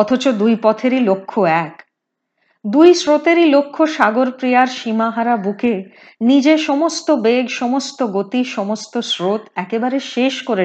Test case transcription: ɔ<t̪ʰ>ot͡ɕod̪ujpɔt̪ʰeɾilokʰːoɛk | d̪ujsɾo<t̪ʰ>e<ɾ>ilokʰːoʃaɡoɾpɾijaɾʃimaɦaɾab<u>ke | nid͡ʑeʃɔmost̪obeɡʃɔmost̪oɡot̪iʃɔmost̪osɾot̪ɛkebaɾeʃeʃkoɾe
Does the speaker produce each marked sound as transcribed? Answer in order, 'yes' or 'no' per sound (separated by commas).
yes, no, yes, yes